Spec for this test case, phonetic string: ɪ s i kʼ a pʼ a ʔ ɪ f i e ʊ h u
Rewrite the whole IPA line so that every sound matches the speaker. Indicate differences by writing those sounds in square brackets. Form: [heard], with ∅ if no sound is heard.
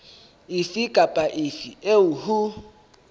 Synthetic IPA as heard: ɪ [f] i kʼ a pʼ a ʔ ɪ f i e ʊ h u